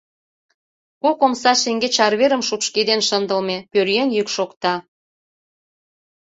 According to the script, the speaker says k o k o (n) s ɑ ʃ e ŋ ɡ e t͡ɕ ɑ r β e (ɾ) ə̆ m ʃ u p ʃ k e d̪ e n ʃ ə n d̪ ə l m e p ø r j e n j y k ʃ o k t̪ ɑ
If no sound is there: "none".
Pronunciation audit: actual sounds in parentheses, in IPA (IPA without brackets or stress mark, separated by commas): m, ɾ